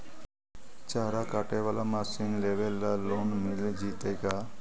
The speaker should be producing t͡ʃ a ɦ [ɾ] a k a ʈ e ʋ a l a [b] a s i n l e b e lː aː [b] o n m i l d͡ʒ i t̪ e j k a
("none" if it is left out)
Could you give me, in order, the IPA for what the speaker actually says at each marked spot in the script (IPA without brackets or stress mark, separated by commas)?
ɾ, m, none